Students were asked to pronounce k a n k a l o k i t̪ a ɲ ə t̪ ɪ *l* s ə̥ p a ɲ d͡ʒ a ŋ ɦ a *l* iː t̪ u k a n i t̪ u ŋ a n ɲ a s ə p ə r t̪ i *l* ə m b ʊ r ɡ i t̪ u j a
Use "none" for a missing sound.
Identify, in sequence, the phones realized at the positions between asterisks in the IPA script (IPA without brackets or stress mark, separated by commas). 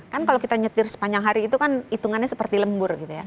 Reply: r, ɾ, l